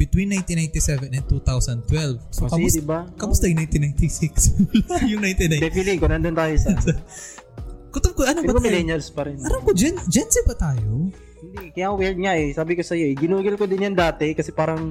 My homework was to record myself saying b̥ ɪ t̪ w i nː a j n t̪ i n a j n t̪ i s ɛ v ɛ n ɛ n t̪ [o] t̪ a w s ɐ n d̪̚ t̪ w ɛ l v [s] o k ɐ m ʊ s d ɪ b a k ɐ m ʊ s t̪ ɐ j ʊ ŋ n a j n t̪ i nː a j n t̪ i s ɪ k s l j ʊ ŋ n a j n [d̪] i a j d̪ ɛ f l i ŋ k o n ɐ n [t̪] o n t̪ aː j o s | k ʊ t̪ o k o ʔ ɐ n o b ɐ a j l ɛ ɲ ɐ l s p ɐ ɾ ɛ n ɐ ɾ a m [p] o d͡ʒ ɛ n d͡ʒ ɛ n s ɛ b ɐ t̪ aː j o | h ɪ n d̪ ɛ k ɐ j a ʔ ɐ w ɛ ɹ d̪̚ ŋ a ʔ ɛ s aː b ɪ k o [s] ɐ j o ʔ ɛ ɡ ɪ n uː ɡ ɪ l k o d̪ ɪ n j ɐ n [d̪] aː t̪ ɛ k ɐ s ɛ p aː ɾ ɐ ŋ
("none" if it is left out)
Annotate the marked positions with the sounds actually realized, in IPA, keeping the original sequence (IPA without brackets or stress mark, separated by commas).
u, s, t̪, d̪, k, s, d̪